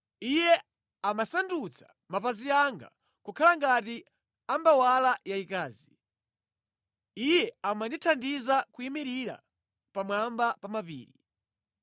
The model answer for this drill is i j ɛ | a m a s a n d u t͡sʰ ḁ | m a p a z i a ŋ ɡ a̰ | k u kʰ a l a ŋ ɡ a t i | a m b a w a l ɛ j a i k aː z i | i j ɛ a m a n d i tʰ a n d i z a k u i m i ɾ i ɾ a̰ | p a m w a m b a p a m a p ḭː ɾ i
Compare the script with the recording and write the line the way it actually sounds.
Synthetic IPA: i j ɛ | a m a s a n d u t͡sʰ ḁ | m a p a z i a ŋ ɡ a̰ | k u kʰ a l a ŋ ɡ a t i | a m b a w a l a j a i k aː z i | i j ɛ a m a n d i tʰ a n d i z a k u i m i ɾ i ɾ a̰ | p a m w a m b a p a m a p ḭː ɾ i